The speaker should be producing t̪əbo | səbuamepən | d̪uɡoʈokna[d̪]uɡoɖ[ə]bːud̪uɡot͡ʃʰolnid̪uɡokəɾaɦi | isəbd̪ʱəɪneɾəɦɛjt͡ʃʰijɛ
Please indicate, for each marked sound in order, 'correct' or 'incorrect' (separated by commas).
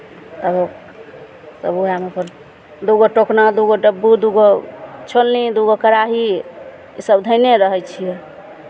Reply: correct, correct